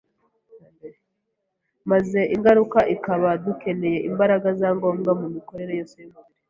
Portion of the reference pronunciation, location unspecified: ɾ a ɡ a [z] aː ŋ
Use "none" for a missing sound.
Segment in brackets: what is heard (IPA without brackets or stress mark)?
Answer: z